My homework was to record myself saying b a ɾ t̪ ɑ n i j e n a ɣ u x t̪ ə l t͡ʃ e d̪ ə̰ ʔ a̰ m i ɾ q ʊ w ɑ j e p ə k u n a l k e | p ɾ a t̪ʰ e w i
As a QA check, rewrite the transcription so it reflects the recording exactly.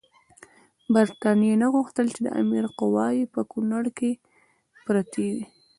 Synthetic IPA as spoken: b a ɾ t̪ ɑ n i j e n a ɣ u x t̪ ə l t͡ʃ e d̪ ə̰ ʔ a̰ m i ɾ q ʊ w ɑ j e p ə k u n a ɽ k e | p ɾ a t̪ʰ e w i

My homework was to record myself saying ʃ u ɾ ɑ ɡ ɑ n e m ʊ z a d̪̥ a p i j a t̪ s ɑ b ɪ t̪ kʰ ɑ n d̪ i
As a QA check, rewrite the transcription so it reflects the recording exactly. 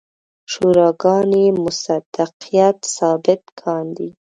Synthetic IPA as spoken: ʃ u ɾ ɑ ɡ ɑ n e m ʊ s a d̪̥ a q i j a t̪ s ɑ b ɪ t̪ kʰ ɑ n d̪ i

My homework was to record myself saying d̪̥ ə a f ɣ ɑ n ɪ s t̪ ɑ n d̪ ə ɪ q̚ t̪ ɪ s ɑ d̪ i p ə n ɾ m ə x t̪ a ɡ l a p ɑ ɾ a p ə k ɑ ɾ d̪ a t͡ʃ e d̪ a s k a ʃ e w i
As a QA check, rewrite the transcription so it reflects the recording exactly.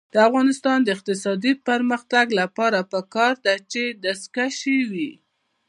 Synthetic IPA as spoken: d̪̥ ə a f ɣ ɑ n ɪ s t̪ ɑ n d̪ ə ɪ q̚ t̪ ɪ s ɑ d̪ i p ə ɾ m ə x t̪ a ɡ l a p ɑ ɾ a p ə k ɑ ɾ d̪ a t͡ʃ e d̪ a s k a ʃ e w i

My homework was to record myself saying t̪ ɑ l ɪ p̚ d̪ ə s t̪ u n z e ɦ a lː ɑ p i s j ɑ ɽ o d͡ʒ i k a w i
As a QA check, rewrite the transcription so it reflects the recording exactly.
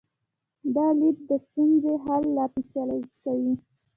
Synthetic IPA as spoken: d̪ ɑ l i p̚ d̪ ə s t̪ u n z e ɦ a lː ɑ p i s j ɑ l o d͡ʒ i k a w i

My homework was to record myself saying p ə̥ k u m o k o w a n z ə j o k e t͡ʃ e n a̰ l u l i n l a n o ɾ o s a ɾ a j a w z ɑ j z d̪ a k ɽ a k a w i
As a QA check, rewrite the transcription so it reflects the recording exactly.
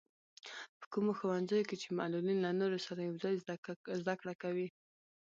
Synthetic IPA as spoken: p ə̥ k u m o x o w a n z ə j o k e t͡ʃ e m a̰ l u l i n l a n o ɾ o s a ɾ a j a w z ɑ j z d̪ a k ɽ a k a w i

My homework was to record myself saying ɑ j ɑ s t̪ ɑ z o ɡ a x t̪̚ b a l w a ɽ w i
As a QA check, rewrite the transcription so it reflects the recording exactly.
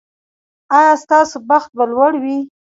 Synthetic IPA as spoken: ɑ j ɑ s t̪ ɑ s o b a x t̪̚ b a l w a ɽ w i

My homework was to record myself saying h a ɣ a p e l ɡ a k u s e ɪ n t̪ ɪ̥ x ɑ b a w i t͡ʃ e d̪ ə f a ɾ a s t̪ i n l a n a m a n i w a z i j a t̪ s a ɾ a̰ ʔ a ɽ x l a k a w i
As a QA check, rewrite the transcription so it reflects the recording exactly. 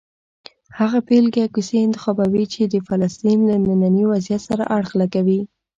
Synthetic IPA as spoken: h a ɣ a p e l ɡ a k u s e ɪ n t̪ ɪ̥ x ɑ b a w i t͡ʃ e d̪ ə f a l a s t̪ i n l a n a n a n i w a z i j a t̪ s a ɾ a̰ ʔ a ɽ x l a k a w i

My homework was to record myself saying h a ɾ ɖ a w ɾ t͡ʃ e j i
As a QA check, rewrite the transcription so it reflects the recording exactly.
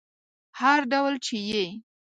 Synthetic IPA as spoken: h a ɾ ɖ a w l t͡ʃ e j e

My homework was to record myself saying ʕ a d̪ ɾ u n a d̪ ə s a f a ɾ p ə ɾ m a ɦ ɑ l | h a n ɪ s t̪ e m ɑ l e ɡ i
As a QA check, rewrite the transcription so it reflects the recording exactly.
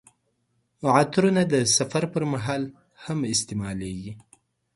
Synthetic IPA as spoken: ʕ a t̪ ɾ u n a d̪ ə s a f a ɾ p ə ɾ m a ɦ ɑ l | h a m ɪ s t̪ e m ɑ l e ɡ i

